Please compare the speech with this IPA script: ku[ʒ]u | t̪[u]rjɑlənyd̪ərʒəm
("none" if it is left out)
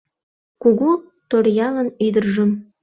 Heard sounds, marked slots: ɣ, o

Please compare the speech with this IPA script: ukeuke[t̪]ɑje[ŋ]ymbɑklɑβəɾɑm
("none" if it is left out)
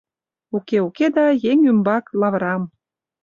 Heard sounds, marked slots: d̪, ŋ

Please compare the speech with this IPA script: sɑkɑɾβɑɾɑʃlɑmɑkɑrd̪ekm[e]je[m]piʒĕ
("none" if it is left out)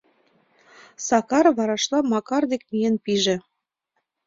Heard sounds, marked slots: i, n

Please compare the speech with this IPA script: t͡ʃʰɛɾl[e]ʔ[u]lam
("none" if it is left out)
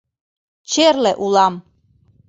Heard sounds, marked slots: ɛ, u

